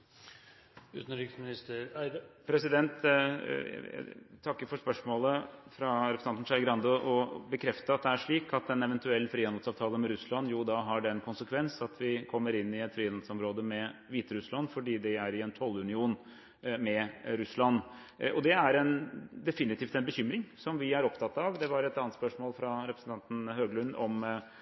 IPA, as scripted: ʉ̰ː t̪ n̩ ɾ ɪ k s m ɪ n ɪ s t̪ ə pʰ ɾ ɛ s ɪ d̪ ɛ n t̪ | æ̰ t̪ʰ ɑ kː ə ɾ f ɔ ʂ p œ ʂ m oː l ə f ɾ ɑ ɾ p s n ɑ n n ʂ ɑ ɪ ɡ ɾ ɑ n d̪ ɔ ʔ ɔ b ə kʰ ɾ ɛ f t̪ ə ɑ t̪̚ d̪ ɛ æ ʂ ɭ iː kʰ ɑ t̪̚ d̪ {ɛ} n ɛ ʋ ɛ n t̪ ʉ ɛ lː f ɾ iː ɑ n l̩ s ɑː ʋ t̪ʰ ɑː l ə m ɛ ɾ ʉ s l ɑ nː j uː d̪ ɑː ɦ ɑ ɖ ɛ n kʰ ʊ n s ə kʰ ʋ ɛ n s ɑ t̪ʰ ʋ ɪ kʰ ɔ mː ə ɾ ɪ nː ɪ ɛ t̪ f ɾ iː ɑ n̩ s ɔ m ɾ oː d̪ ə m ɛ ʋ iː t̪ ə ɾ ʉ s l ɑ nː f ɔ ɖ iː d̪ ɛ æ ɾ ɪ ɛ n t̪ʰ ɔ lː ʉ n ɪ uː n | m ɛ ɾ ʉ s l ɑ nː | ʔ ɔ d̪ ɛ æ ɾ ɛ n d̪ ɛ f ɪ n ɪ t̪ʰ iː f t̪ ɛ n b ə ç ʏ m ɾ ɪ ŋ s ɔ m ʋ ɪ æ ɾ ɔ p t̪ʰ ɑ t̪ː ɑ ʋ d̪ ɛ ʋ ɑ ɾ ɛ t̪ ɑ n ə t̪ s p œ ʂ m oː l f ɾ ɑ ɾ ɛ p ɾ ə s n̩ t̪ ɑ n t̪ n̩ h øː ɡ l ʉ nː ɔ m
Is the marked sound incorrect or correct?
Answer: correct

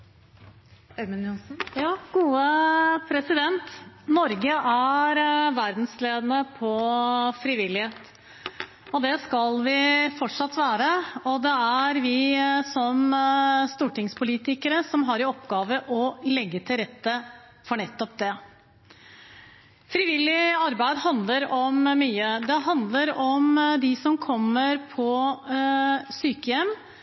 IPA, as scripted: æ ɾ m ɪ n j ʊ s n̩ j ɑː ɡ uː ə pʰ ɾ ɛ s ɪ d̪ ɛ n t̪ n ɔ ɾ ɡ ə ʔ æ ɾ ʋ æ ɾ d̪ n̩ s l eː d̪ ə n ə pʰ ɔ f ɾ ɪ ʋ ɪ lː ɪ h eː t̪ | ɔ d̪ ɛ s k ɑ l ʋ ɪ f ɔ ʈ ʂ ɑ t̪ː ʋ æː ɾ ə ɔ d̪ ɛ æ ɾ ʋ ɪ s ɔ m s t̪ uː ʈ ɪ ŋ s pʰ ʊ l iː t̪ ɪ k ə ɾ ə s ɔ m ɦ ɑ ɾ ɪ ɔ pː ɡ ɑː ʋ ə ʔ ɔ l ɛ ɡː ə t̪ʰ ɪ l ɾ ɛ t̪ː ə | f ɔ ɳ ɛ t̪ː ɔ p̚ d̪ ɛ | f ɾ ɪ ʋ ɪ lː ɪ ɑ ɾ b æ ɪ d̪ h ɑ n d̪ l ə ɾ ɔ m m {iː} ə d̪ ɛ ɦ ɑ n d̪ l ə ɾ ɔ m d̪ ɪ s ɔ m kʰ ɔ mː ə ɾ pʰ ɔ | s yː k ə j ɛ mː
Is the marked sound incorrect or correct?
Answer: incorrect: yː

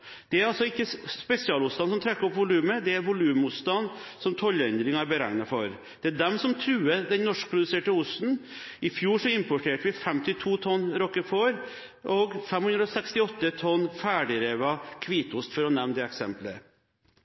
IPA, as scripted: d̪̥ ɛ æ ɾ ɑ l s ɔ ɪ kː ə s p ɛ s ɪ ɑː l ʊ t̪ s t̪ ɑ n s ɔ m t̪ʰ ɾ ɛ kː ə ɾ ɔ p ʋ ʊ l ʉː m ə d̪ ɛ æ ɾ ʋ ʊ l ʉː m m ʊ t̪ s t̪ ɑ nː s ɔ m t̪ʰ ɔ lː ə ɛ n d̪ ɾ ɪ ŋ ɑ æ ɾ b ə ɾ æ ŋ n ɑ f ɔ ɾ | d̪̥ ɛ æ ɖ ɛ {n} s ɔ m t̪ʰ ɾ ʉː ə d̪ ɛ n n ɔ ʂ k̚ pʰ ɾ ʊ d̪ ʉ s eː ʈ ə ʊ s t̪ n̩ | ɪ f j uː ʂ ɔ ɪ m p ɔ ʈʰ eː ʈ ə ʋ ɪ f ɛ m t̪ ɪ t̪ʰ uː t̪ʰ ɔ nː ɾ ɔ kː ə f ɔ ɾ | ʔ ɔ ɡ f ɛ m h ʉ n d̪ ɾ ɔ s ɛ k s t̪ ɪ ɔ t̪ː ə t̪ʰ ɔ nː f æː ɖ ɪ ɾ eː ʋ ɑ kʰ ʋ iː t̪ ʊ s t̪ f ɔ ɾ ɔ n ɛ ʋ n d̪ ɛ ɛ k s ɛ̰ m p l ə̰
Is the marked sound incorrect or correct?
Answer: incorrect: m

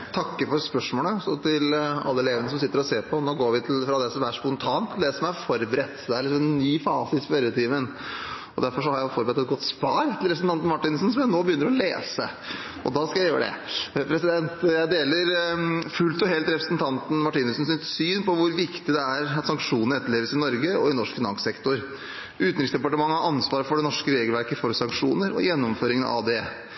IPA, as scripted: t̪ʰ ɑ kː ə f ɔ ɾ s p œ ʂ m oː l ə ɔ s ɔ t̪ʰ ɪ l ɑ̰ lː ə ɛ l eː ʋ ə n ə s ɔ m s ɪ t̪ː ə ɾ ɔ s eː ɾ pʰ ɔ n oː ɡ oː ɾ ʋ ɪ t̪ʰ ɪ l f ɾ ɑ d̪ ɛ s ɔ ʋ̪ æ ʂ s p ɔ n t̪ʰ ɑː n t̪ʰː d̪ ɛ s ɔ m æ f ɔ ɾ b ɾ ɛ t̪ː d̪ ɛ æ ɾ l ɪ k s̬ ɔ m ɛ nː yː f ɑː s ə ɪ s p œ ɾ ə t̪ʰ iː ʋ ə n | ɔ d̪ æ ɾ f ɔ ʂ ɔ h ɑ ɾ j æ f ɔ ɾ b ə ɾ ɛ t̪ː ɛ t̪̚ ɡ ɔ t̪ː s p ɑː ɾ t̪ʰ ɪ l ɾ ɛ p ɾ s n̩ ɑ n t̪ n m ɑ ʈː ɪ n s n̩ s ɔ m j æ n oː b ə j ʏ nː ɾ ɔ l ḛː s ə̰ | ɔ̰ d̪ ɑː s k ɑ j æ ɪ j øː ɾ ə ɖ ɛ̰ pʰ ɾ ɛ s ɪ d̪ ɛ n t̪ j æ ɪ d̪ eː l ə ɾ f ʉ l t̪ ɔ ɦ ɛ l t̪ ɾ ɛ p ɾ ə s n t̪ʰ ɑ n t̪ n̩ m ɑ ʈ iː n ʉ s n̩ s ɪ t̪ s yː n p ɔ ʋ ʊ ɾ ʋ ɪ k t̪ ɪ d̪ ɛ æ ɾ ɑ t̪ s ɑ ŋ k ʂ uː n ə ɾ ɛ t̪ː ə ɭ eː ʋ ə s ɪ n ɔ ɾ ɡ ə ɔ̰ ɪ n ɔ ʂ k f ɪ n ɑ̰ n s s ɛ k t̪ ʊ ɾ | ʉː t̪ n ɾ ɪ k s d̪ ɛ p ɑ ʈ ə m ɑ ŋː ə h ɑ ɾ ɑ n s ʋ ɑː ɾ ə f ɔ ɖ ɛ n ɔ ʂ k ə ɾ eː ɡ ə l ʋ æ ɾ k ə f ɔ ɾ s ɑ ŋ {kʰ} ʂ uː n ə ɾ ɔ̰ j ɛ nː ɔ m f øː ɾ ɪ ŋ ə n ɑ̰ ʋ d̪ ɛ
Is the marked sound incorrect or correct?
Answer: incorrect: k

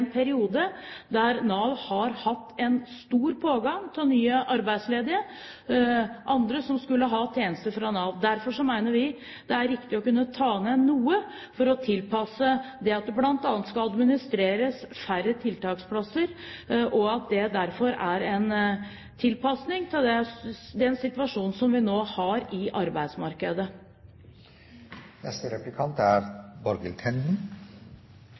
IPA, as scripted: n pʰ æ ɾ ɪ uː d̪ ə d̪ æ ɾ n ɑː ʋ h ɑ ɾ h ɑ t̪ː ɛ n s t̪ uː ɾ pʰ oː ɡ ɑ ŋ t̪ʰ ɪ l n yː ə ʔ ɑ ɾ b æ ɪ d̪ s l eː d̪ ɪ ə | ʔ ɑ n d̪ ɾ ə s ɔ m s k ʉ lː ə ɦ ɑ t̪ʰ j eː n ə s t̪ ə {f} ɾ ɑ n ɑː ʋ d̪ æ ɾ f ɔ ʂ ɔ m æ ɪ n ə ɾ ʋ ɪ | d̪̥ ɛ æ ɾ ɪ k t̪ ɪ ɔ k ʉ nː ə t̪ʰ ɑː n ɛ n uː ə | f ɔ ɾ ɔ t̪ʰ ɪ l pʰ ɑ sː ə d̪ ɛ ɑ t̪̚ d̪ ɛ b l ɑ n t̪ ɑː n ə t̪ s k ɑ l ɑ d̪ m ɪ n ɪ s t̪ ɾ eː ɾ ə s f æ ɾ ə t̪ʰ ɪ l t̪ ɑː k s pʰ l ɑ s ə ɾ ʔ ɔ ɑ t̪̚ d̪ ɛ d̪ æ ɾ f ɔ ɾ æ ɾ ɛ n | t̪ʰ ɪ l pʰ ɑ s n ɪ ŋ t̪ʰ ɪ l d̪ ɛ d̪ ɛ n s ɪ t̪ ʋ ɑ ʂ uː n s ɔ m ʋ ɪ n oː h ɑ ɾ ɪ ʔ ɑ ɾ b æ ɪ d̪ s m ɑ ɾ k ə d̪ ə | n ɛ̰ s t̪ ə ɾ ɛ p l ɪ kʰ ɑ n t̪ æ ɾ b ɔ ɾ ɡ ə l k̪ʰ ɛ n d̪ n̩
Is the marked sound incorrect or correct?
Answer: correct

